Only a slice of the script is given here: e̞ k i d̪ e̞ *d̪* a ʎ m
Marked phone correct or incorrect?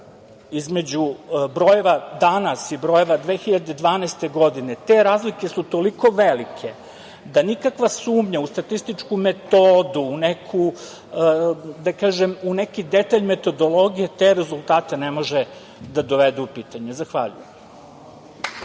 incorrect